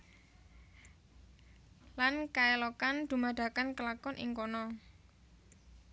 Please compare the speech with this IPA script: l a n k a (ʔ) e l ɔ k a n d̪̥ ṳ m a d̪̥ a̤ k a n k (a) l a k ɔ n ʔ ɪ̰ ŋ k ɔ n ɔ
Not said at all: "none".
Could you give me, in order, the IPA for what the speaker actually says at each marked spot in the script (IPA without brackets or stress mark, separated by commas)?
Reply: none, ə